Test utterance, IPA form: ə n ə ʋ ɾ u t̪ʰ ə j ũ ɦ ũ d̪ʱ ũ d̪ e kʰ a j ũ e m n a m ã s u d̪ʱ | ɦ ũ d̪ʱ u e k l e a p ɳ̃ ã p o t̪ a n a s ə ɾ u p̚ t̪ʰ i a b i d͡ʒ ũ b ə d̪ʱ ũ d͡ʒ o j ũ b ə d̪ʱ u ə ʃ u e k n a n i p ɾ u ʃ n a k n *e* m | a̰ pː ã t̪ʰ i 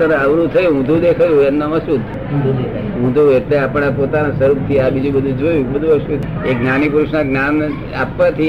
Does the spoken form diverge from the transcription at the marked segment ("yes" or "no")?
yes